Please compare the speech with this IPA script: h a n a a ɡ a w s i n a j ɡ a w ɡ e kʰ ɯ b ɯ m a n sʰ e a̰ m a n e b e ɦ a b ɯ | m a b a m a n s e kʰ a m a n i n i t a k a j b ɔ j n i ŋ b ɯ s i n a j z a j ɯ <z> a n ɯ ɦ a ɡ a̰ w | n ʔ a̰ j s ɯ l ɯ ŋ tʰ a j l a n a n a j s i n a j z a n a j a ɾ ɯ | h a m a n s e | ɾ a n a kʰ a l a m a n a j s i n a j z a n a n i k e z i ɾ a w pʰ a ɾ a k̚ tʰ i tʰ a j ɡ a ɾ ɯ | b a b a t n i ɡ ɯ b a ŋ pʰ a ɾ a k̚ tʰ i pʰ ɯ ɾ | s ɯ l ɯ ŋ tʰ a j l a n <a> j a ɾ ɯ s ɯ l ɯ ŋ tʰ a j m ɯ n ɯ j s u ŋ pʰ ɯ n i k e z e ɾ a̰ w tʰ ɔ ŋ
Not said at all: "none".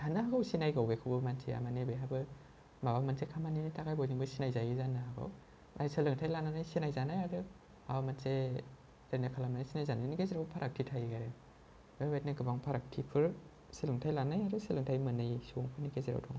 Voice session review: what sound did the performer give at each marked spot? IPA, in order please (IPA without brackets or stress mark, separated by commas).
z, a